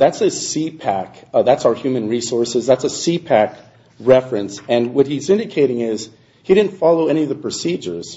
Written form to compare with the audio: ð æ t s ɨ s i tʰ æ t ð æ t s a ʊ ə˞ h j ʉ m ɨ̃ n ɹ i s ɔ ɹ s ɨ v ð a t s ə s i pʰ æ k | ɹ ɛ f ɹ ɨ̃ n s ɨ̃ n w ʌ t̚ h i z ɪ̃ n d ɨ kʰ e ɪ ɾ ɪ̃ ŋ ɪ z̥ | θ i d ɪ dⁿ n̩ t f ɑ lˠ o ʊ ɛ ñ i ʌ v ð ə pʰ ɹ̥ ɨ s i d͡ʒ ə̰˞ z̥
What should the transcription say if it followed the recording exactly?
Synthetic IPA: ð æ t s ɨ s i pʰ æ k ð æ t s a ʊ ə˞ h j ʉ m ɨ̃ n ɹ i s ɔ ɹ s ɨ z ð æ t s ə s i pʰ æ k | ɹ ɛ f ɹ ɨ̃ n s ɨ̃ n w ʌ t̚ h i z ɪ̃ n d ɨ kʰ e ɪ ɾ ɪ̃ ŋ ɪ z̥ | h i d ɪ dⁿ n̩ t f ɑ lˠ o ʊ ɛ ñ i ʌ v ð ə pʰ ɹ̥ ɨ s i d͡ʒ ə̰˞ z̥